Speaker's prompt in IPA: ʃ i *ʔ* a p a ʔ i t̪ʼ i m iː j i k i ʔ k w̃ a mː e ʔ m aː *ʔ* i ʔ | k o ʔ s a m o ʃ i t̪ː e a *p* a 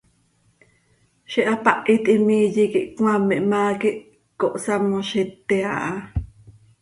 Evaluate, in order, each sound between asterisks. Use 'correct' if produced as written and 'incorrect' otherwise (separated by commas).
correct, incorrect, incorrect